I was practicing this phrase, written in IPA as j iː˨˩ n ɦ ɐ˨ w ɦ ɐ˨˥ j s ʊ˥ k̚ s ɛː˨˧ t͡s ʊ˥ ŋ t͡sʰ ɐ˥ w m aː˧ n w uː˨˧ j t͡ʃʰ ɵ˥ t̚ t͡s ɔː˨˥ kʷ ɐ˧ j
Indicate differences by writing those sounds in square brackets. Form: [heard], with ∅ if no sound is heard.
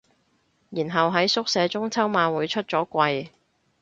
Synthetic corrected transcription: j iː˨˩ n ɦ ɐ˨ w ɦ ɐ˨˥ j s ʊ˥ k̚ s ɛː˨˧ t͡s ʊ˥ ŋ t͡sʰ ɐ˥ w m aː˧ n w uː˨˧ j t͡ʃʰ ɵ˥ t̚ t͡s ɔː˨˥ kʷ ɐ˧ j